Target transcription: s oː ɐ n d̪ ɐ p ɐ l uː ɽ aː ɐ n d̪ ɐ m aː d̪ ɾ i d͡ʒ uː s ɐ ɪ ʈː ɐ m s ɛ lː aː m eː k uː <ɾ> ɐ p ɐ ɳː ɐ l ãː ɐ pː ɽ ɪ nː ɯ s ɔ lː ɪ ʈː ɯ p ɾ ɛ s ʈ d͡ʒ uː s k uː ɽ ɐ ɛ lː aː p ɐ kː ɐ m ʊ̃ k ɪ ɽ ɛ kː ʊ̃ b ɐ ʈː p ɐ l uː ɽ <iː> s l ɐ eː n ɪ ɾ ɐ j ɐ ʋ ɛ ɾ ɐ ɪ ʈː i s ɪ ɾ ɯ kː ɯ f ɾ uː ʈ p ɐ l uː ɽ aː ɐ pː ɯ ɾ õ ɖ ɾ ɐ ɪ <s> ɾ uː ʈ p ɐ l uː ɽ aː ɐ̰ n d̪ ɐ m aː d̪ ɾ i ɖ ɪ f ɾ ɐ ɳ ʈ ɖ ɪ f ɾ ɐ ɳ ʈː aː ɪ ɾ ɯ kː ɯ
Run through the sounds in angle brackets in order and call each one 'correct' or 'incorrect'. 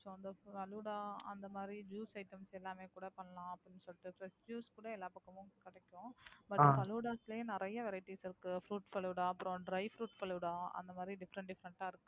incorrect, incorrect, incorrect

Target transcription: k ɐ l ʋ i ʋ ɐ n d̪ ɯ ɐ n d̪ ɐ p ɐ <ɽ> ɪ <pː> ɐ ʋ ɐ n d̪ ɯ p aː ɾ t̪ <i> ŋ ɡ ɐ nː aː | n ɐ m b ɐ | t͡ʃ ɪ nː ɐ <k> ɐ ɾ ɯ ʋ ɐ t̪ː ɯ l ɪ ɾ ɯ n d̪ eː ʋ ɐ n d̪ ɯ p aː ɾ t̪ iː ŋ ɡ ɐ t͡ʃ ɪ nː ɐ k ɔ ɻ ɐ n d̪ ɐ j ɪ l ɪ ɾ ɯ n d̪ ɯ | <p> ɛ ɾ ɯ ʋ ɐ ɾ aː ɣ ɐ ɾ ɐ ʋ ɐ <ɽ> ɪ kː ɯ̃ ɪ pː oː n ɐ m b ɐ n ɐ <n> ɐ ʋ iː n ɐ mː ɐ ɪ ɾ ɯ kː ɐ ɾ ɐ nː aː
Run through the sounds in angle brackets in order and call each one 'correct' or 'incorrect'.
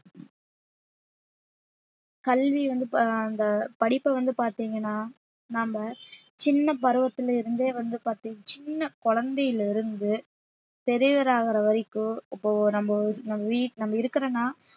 correct, correct, incorrect, incorrect, correct, incorrect, incorrect

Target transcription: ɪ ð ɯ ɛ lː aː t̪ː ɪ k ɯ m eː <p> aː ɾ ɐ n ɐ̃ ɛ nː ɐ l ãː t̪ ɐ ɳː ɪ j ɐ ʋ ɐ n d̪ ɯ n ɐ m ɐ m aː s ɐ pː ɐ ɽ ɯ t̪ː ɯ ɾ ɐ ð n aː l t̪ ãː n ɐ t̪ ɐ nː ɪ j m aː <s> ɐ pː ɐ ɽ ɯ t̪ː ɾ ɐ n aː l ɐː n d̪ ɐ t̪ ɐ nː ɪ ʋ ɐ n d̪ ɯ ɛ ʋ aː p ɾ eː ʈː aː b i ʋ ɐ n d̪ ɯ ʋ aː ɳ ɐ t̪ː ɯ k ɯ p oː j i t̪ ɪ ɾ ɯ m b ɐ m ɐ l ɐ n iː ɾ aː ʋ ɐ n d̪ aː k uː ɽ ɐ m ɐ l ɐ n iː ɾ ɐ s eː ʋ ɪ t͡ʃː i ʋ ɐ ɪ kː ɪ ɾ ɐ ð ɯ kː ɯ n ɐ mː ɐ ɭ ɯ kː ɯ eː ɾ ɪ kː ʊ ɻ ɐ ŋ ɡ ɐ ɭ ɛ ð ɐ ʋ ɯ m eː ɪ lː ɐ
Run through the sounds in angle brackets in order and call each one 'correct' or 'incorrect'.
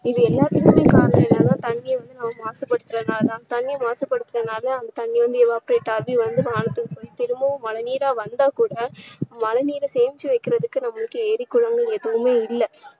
incorrect, correct

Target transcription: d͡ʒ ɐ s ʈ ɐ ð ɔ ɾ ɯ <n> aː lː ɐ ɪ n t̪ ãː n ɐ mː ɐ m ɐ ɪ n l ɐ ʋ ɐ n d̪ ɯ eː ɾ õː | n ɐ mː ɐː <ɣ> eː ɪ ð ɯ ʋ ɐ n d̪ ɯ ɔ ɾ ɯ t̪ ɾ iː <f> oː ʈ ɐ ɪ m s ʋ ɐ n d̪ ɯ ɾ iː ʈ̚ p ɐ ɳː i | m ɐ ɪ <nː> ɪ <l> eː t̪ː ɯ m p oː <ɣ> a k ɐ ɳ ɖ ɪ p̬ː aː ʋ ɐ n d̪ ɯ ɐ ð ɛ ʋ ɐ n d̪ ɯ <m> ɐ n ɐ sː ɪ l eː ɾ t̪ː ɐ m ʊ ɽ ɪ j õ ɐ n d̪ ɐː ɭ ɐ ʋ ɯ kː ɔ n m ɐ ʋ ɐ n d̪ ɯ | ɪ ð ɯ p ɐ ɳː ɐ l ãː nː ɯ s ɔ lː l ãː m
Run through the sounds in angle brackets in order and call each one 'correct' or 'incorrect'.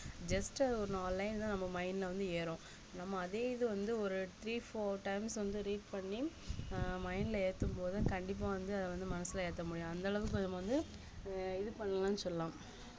correct, incorrect, correct, incorrect, correct, incorrect, correct

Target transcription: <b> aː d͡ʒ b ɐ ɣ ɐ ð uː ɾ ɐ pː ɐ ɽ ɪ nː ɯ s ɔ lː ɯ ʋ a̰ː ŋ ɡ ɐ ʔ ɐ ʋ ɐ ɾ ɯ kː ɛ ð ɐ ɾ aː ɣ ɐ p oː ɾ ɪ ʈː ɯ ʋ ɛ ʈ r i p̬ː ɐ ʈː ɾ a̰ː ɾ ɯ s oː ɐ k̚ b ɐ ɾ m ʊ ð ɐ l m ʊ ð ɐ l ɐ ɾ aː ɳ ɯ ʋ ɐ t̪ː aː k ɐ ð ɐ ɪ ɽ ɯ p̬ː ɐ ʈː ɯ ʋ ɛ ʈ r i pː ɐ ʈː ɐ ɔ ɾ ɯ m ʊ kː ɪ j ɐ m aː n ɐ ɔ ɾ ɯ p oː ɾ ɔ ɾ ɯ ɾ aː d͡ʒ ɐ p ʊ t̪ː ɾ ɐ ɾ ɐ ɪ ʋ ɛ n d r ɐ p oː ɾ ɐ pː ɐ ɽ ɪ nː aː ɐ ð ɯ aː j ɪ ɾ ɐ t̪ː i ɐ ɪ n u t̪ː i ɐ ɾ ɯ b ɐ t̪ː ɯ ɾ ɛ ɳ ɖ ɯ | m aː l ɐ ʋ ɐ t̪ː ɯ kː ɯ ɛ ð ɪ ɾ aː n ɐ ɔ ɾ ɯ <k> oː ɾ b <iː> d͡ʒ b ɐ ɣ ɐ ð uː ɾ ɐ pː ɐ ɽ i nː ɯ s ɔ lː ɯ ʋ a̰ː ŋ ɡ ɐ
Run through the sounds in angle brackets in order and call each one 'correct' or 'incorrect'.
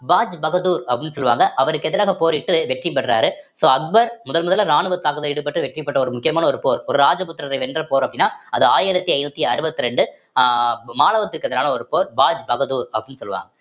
correct, incorrect, incorrect

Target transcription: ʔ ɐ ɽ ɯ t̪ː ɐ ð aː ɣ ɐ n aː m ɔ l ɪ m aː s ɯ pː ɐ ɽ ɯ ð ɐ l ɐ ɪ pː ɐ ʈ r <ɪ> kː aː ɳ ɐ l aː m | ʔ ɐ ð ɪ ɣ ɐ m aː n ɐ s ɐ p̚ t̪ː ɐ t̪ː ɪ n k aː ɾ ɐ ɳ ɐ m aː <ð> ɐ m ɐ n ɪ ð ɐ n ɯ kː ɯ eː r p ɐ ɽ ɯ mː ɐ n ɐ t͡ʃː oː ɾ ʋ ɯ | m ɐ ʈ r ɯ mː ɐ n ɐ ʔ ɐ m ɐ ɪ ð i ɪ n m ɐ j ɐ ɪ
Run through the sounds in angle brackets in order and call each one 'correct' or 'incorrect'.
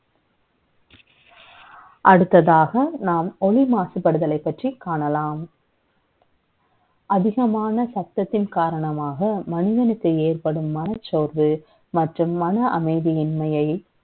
incorrect, incorrect

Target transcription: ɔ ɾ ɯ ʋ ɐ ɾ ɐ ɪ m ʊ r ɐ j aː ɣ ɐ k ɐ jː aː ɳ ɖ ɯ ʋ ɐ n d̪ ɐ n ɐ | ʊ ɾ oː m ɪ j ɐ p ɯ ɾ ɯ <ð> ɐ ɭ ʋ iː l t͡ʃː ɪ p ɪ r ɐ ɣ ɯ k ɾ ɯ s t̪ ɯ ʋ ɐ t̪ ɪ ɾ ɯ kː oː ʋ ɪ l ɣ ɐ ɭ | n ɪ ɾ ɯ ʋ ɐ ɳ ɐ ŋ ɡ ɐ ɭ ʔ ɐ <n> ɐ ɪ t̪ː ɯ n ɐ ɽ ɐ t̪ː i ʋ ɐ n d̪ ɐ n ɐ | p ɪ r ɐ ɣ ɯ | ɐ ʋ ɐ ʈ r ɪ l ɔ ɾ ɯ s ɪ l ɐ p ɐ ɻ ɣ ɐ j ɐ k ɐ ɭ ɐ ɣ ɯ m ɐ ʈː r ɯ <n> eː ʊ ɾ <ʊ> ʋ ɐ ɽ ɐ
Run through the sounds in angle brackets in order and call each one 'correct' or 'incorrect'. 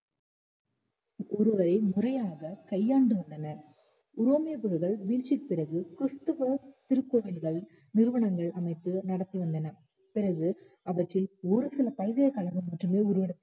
incorrect, incorrect, incorrect, incorrect

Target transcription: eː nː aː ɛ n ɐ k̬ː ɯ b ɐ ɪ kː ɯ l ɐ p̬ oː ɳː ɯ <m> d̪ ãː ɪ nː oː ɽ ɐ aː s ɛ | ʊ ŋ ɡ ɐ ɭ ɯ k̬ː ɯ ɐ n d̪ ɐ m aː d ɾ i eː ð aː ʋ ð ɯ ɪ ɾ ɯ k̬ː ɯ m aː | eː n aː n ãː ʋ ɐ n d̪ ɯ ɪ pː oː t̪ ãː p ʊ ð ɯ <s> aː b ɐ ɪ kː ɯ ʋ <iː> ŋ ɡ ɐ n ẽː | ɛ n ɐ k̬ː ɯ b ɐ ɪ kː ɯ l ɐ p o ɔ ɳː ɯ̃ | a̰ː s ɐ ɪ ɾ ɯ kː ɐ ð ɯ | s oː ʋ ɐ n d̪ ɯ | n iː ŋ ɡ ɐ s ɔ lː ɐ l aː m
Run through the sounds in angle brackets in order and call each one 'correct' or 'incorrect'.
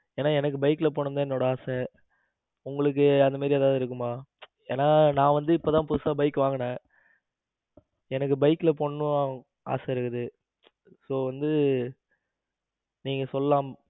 incorrect, correct, incorrect

